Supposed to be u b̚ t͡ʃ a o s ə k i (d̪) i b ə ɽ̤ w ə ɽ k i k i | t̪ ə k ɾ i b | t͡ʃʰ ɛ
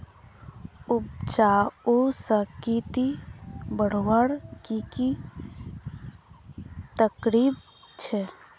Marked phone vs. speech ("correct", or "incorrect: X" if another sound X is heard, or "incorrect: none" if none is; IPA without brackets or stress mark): incorrect: t̪